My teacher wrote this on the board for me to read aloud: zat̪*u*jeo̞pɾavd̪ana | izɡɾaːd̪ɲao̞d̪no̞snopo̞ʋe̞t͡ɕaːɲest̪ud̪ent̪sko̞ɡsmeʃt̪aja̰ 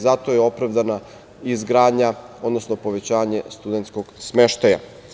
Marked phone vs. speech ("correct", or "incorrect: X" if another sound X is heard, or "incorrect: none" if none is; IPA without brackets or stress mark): incorrect: o